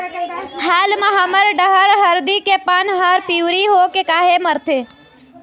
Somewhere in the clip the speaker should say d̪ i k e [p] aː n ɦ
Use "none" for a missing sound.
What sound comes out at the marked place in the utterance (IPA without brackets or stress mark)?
p